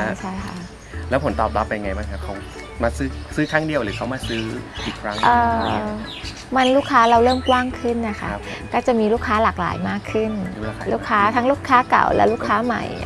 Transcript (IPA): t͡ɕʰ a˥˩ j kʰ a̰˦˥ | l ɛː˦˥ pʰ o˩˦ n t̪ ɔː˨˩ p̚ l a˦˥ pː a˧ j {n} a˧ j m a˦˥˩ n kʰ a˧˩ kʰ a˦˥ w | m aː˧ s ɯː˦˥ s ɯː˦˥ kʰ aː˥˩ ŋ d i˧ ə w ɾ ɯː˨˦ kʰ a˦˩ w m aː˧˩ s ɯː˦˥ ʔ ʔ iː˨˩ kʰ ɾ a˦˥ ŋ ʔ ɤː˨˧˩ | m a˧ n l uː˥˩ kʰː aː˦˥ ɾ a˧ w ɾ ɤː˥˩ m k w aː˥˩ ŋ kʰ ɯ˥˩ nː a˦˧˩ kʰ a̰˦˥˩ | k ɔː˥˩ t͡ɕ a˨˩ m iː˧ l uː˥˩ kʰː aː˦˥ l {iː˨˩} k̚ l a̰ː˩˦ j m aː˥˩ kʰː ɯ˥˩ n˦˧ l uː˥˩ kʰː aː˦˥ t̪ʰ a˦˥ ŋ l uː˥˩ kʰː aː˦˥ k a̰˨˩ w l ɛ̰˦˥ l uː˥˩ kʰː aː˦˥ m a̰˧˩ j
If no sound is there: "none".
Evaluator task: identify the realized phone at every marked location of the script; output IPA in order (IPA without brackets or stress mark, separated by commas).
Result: ŋ, aː˨˩